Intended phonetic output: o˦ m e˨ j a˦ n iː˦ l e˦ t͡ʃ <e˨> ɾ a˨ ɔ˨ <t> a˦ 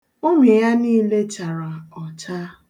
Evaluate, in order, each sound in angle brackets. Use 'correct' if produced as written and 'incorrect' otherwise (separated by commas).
incorrect, incorrect